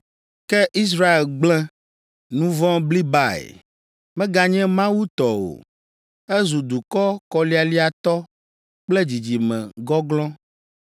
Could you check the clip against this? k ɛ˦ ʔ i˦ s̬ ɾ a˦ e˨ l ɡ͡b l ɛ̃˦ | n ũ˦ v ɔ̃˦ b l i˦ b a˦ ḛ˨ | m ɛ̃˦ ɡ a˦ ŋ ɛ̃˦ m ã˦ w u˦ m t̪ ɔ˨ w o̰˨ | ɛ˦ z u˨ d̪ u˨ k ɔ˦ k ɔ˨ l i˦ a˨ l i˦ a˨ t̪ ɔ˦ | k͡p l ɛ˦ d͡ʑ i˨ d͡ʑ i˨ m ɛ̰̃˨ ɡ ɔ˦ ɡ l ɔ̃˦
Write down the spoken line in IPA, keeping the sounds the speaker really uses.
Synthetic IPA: k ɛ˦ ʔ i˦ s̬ ɾ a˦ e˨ l ɡ͡b l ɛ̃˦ | n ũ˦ v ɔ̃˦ b l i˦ b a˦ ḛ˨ | m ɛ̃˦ ɡ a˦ ɲ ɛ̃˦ m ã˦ w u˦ t̪ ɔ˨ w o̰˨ | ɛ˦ z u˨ d̪ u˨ k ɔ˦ k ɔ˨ l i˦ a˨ l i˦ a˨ t̪ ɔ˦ | k͡p l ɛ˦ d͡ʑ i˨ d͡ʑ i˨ m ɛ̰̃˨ ɡ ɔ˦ ɡ l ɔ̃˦